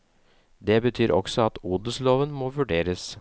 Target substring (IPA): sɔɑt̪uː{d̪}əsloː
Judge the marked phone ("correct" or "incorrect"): correct